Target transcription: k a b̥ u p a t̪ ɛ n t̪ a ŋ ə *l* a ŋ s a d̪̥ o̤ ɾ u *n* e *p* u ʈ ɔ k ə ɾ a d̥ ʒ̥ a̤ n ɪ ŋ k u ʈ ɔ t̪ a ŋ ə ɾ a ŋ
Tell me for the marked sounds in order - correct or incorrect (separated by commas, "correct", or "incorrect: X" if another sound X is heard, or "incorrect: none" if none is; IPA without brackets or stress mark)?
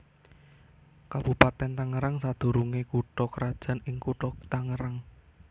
incorrect: ɾ, incorrect: ŋ, incorrect: k